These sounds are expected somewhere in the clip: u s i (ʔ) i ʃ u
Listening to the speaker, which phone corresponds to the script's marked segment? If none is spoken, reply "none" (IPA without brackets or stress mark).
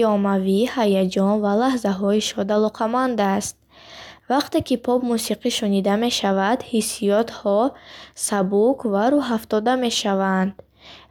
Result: q